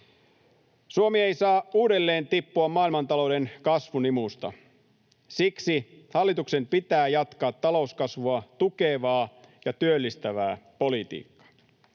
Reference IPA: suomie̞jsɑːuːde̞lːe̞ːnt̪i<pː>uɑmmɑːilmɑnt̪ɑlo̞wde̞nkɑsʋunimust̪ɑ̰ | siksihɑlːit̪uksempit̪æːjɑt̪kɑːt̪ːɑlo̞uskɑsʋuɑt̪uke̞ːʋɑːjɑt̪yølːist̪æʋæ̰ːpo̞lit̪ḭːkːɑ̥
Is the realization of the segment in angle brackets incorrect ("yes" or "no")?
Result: no